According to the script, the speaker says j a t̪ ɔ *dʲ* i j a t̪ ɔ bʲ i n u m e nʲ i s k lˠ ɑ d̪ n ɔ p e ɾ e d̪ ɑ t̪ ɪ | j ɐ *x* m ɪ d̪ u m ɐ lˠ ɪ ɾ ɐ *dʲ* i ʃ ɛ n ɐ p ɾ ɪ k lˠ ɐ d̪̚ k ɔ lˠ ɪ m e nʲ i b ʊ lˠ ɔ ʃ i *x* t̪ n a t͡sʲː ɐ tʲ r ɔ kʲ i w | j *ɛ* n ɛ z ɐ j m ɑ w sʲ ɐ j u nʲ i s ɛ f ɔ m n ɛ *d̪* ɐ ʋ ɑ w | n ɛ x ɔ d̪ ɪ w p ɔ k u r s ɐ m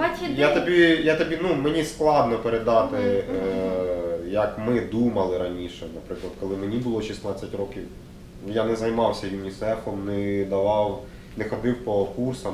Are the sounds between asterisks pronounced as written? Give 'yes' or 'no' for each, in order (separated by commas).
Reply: no, no, no, no, no, yes